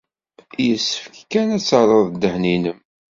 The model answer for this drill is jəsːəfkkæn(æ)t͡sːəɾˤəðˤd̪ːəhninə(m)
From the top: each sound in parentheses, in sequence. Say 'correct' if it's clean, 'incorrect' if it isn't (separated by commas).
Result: correct, correct